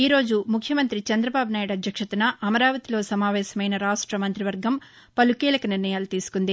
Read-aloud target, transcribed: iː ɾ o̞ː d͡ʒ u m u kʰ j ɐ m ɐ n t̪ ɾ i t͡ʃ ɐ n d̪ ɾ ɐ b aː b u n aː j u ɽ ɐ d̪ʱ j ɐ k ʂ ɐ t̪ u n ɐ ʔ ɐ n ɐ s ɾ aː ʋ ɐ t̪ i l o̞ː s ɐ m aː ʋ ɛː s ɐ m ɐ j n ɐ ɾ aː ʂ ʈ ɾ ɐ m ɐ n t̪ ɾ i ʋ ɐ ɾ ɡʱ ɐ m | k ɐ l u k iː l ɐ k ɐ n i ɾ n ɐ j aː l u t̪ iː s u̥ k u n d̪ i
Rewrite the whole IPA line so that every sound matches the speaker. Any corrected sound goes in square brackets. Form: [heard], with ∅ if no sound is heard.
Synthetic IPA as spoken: iː ɾ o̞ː d͡ʒ u m u kʰ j ɐ m ɐ n t̪ ɾ i t͡ʃ ɐ n d̪ ɾ ɐ b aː b u n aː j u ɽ ɐ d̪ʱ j ɐ k ʂ ɐ t̪ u n ɐ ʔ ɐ [m] ɐ [∅] ɾ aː ʋ ɐ t̪ i l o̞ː s ɐ m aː ʋ ɛː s ɐ m ɐ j n ɐ ɾ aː ʂ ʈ ɾ ɐ m ɐ n t̪ ɾ i ʋ ɐ ɾ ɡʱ ɐ m | [p] ɐ l u k iː l ɐ k ɐ n i ɾ n ɐ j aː l u t̪ iː s u̥ k u n d̪ i

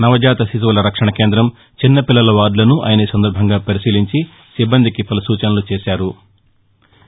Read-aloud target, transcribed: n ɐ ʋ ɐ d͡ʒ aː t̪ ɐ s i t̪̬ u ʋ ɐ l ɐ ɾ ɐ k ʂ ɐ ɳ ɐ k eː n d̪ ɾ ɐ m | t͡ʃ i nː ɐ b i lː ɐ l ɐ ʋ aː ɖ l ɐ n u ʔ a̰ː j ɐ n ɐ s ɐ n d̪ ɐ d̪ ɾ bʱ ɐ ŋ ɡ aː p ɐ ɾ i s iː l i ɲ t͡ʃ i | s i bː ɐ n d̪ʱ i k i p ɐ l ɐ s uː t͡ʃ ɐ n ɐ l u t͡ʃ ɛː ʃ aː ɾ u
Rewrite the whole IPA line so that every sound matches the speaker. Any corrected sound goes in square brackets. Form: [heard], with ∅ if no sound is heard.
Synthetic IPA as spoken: n ɐ ʋ ɐ d͡ʒ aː t̪ ɐ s i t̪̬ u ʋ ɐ l ɐ ɾ ɐ k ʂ ɐ ɳ ɐ k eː n d̪ ɾ ɐ m | t͡ʃ i nː ɐ [p] i lː ɐ l ɐ ʋ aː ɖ l ɐ n u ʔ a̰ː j ɐ n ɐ s ɐ n d̪ ɐ [∅] ɾ bʱ ɐ ŋ ɡ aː p ɐ ɾ i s iː l i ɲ t͡ʃ i | s i bː ɐ n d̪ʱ i k i p ɐ l ɐ s uː t͡ʃ ɐ n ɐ l u t͡ʃ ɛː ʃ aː ɾ u

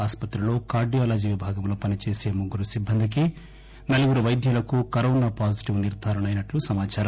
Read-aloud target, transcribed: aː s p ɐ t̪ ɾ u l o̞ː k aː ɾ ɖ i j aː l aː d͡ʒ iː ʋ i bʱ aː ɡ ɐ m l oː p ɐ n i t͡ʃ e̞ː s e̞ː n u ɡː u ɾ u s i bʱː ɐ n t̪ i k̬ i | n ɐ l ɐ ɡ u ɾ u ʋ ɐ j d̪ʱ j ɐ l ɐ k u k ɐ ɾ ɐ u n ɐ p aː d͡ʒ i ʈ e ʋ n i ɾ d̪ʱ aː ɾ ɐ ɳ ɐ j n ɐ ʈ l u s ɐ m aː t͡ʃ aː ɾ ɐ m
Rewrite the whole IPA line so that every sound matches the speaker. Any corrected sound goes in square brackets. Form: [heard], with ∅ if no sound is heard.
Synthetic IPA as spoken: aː s p ɐ t̪ ɾ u l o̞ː k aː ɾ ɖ i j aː l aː d͡ʒ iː ʋ i bʱ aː ɡ ɐ m l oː p ɐ n i t͡ʃ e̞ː s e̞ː [m] u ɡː u ɾ u s i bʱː ɐ n [d̪] i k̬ i | n ɐ l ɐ ɡ u ɾ u ʋ ɐ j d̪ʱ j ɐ l ɐ k u k ɐ ɾ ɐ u n ɐ p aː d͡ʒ i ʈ [i] ʋ n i ɾ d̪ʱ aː ɾ ɐ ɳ ɐ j n ɐ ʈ l u s ɐ m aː t͡ʃ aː ɾ ɐ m

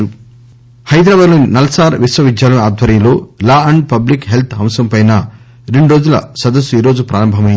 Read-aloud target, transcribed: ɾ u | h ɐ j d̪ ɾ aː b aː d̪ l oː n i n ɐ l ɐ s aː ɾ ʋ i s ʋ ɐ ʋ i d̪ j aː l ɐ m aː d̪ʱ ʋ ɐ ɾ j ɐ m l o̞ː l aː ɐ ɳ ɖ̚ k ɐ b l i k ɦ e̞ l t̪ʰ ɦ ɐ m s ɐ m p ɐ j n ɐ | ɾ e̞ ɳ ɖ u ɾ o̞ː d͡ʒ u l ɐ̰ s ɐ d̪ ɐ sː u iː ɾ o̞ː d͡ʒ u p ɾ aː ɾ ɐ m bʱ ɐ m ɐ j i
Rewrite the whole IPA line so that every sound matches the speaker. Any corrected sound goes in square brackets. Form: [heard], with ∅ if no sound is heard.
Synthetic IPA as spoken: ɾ u | h ɐ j d̪ ɾ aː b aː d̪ l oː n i n ɐ l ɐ s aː ɾ ʋ i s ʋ ɐ ʋ i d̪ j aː l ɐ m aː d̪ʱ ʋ ɐ ɾ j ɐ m l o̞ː l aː ɐ ɳ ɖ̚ [p] ɐ b l i k ɦ e̞ l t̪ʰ ɦ ɐ m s ɐ m p ɐ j n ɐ | ɾ e̞ ɳ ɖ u ɾ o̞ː d͡ʒ u l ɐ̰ s ɐ d̪ ɐ sː u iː ɾ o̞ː d͡ʒ u p ɾ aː ɾ ɐ m bʱ ɐ m ɐ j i

